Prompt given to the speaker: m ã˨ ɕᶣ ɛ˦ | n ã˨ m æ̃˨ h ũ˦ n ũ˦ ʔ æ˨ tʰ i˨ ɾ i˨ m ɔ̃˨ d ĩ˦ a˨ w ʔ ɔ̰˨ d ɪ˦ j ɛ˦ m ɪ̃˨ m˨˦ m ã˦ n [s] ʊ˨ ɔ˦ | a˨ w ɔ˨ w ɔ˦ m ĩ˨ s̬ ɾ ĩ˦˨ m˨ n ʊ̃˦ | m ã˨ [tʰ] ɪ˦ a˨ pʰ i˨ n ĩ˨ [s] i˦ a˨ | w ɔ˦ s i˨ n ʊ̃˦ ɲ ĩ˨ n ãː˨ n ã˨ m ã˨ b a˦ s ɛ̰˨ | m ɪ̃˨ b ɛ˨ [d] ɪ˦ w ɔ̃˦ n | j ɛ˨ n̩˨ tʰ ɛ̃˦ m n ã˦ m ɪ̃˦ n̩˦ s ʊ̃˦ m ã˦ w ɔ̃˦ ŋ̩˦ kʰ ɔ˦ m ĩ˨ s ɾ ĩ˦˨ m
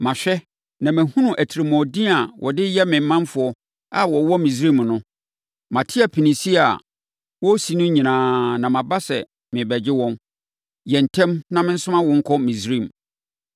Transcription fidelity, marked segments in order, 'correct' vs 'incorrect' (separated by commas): incorrect, correct, correct, incorrect